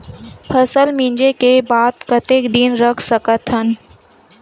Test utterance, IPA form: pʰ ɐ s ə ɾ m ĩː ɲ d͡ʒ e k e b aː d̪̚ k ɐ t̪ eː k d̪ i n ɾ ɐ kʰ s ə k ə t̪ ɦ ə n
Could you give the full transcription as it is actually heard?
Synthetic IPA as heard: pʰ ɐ s ə l m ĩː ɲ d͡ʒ e k e b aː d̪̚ k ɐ t̪ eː k d̪ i n ɾ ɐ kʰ s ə k ə t̪ ɦ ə n